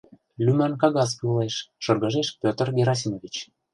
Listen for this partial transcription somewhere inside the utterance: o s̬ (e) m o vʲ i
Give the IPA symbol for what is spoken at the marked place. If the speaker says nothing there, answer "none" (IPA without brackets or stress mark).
i